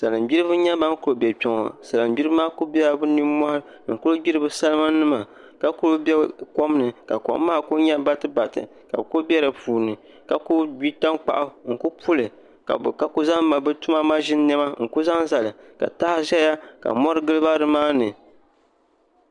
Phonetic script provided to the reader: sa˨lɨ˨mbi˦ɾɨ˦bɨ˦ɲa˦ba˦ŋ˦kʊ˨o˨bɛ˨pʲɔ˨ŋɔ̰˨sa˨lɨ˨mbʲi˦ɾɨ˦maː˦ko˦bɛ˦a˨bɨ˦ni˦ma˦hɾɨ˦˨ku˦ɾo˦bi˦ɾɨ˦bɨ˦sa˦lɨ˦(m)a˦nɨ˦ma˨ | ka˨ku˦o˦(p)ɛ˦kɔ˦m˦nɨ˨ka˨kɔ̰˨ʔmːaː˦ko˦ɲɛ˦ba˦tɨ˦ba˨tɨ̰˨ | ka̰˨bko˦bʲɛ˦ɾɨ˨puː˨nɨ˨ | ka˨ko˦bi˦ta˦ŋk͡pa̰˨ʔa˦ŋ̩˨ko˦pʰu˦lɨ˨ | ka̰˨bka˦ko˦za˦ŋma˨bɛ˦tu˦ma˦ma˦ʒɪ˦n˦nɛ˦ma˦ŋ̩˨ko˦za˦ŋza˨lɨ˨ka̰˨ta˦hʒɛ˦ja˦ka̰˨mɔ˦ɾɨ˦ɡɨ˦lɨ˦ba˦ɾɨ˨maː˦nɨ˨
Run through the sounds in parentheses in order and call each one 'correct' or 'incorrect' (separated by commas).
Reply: correct, incorrect